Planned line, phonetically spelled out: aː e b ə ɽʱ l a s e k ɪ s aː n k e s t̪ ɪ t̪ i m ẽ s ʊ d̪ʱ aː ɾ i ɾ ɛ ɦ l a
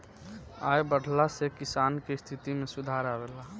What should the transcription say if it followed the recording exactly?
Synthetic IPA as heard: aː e b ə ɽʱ l a s e k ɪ s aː n k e s t̪ʰ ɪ t̪ i m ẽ s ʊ d̪ʱ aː ɾ a ɾ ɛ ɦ l a